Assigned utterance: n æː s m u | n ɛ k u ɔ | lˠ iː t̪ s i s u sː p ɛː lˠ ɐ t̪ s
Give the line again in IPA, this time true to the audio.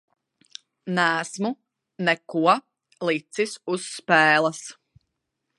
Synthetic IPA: n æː s m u | n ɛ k u ɔ | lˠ i t̪ s i s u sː p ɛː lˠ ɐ s

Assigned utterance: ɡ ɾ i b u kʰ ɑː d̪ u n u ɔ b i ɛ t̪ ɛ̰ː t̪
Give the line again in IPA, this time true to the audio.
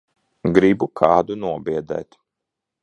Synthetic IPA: ɡ ɾ i b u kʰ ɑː d̪ u n u ɔ b i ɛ d̪ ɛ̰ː t̪

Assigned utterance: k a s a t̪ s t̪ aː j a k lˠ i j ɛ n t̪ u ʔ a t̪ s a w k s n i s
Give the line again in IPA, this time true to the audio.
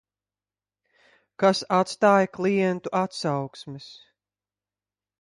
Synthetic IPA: k a s a t̪ s t̪ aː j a k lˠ i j ɛ n t̪ u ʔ a t̪ s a w k s m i s

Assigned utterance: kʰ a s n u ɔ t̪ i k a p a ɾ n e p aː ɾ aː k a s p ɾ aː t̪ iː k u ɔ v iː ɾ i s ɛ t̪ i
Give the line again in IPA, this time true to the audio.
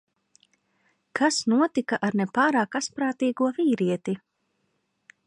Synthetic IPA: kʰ a s n u ɔ t̪ i k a ʔ a ɾ n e p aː ɾ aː k a s p ɾ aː t̪ iː ɡ u ɔ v iː ɾ i ɛ t̪ i

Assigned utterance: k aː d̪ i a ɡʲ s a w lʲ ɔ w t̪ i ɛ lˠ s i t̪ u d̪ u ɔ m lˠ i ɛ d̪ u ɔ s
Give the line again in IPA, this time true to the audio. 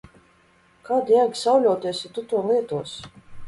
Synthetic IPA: k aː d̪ j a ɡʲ s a w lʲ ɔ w t̪ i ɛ s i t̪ u t̪ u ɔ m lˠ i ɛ t̪ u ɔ s

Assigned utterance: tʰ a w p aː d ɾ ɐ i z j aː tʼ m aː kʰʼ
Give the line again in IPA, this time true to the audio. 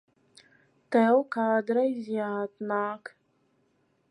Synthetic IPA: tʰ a w k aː d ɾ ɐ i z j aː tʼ n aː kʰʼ

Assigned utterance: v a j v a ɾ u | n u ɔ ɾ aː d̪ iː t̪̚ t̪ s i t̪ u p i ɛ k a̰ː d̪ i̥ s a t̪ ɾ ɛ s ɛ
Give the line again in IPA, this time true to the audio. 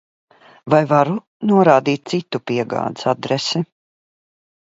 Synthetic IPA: v a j v a ɾ u | n u ɔ ɾ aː d̪ iː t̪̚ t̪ s i t̪ u p i ɛ ɡ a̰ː d̪ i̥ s a d̪ ɾ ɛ s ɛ

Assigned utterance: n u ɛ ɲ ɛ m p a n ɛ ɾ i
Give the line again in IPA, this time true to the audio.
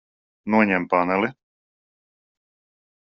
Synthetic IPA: n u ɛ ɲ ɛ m p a n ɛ l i

